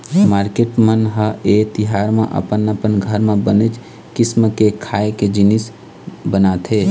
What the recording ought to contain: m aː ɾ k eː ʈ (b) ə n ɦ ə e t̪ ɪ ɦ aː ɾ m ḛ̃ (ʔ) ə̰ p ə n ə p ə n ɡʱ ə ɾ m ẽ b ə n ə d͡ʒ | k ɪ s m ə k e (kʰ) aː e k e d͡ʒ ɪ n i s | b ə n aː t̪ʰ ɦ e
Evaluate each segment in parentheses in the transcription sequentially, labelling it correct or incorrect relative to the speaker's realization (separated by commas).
incorrect, correct, correct